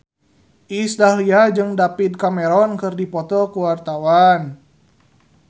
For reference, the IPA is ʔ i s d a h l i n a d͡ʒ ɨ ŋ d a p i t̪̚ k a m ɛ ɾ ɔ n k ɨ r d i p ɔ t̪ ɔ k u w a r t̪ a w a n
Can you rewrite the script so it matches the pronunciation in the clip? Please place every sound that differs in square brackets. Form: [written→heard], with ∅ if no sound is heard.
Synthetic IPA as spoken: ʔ i s d a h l i [n→∅] a d͡ʒ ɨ ŋ d a p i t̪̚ k a m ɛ ɾ ɔ n k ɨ r d i p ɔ t̪ ɔ k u w a r t̪ a w a n

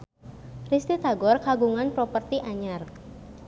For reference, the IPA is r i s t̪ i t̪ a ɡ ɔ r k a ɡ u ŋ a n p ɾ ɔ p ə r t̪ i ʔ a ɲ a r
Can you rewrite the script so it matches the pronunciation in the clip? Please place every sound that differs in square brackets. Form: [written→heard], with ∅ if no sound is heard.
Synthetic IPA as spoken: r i s t̪ i t̪ a ɡ ɔ r k a ɡ u ŋ a n p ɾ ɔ p ə r t̪ i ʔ a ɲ a r

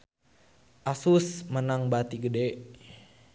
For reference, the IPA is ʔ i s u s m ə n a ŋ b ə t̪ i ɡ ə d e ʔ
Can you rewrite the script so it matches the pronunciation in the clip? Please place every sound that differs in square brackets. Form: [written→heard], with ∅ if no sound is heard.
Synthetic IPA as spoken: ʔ [i→a] s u s m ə n a ŋ b [ə→a] t̪ i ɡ ə d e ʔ

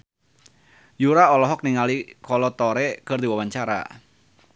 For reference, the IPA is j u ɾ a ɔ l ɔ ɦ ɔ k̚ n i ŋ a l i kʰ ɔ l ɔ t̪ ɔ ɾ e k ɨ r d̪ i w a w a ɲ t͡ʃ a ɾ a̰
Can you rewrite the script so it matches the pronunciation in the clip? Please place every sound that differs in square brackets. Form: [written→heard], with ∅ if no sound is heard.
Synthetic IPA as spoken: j u ɾ a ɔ l ɔ ɦ ɔ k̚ n i ŋ a l i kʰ ɔ l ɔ t̪ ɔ ɾ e k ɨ r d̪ i w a w a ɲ t͡ʃ a ɾ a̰

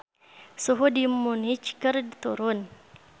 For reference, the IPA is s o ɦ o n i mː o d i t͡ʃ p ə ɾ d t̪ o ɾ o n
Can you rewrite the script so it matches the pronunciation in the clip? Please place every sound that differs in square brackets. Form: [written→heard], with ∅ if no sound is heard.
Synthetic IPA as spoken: s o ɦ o [n→d] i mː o [d→n] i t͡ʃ [p→k] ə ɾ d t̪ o ɾ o n

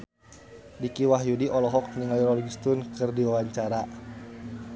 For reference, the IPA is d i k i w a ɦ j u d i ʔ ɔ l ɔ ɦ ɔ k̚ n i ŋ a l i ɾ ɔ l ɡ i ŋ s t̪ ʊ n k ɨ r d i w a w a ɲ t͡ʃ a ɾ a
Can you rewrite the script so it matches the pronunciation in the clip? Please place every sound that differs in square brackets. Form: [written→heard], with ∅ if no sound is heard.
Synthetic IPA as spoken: d i k i w a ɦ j u d i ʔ ɔ l ɔ ɦ ɔ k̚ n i ŋ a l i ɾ ɔ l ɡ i [ŋ→∅] s t̪ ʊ n k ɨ r d i w a w a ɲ t͡ʃ a ɾ a

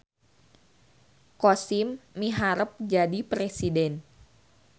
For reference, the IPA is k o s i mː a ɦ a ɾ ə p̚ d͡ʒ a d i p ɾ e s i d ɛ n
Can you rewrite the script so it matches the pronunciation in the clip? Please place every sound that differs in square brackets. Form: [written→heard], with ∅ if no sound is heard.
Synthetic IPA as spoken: k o s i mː [a→i] ɦ a ɾ ə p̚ d͡ʒ a d i p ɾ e s i d ɛ n

